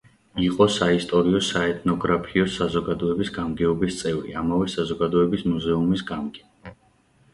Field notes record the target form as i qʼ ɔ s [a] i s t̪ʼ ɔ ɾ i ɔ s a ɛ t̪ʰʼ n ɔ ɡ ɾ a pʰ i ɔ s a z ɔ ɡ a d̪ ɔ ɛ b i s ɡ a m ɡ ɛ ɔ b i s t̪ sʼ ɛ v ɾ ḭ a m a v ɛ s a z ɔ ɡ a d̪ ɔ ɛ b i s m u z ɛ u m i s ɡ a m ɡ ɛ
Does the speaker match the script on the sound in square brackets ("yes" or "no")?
yes